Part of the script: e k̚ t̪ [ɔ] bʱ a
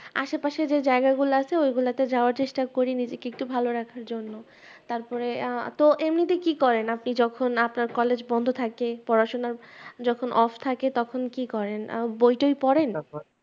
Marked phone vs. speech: incorrect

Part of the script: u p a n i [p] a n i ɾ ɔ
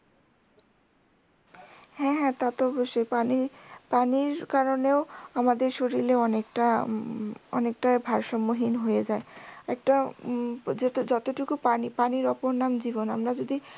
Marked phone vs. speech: correct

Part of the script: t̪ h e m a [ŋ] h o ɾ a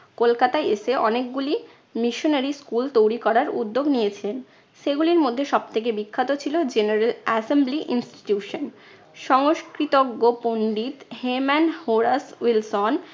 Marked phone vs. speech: incorrect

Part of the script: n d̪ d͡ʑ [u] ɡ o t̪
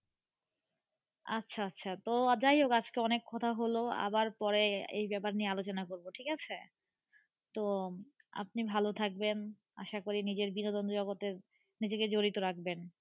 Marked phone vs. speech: incorrect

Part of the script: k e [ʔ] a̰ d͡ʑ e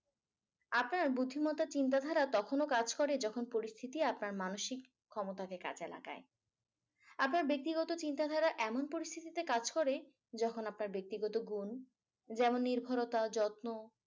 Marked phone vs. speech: incorrect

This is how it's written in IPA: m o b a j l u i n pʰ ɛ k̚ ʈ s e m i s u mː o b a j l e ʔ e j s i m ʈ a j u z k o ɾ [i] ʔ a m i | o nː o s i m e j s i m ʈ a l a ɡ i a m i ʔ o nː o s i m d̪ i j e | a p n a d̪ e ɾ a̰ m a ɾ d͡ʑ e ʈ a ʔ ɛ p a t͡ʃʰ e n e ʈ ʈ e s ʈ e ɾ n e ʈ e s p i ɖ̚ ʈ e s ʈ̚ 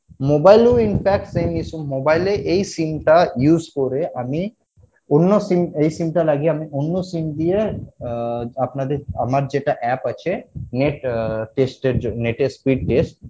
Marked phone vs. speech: incorrect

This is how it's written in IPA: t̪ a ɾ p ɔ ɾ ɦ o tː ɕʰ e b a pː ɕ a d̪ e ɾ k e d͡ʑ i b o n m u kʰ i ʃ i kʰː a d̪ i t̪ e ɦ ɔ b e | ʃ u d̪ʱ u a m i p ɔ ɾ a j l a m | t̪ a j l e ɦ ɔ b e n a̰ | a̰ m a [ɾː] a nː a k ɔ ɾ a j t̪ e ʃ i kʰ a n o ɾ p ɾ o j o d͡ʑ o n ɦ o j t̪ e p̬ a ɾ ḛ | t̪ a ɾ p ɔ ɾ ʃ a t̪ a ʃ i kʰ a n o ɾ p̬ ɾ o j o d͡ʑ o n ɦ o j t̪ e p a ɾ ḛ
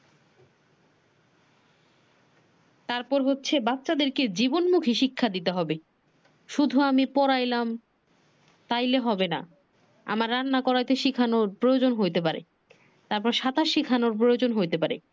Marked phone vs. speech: correct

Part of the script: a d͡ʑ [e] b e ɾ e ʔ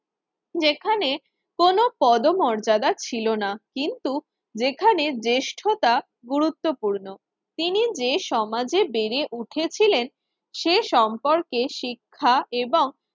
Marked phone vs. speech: correct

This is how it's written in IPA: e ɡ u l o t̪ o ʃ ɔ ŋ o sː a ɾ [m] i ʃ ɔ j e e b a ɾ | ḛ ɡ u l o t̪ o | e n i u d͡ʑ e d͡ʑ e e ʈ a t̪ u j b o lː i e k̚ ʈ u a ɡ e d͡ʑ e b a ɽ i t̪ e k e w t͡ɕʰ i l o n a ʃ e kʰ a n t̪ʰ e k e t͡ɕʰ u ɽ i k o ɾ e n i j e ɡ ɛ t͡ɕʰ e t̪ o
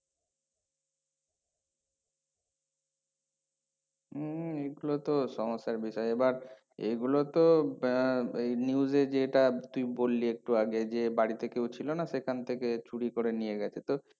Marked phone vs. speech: incorrect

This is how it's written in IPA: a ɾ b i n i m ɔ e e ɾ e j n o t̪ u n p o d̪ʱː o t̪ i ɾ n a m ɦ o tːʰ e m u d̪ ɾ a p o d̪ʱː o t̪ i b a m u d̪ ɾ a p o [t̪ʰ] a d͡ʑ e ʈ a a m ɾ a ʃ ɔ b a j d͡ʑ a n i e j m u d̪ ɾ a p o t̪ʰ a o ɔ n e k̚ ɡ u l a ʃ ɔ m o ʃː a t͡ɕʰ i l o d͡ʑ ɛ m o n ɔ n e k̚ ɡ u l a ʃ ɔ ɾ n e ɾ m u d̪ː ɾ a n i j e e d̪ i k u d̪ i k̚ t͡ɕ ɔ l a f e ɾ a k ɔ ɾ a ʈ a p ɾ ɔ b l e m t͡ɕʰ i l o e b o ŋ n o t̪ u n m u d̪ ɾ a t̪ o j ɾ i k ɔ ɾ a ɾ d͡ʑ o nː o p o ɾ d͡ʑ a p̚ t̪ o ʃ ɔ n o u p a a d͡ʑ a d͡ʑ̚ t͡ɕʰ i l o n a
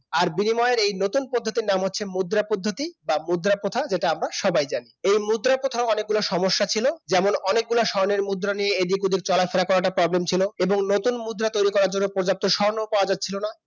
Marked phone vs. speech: correct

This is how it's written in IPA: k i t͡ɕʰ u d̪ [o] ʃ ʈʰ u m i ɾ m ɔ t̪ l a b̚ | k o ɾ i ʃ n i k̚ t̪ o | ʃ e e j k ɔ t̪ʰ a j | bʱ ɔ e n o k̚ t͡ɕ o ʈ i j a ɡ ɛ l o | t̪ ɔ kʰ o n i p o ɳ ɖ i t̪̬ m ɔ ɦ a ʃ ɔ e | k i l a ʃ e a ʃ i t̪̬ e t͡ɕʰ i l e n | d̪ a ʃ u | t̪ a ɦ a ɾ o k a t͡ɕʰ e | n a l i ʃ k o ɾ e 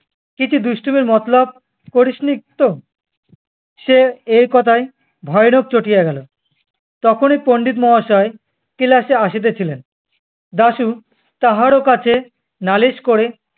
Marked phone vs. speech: incorrect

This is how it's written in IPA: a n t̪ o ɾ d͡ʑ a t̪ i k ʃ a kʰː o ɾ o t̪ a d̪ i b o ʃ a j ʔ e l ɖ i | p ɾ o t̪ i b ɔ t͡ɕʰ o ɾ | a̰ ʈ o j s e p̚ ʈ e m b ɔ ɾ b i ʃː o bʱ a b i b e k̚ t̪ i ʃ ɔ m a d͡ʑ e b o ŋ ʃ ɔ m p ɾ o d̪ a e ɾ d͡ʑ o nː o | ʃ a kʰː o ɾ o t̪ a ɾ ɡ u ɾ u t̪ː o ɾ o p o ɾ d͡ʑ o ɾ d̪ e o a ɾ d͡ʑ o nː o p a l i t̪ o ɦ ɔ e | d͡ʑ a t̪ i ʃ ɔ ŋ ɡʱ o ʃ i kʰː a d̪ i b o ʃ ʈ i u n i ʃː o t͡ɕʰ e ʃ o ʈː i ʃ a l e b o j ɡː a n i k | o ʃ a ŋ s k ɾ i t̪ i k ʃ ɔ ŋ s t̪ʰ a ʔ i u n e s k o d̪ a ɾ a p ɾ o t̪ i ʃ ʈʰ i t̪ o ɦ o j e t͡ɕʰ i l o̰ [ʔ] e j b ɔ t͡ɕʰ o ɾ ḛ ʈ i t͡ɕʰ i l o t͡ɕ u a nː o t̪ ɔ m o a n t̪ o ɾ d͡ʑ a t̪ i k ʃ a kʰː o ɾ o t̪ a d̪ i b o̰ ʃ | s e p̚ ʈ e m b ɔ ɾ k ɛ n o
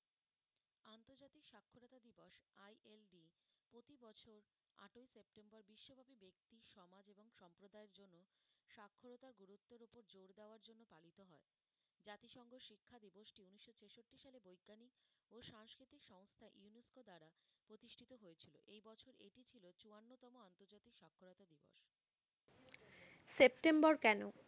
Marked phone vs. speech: correct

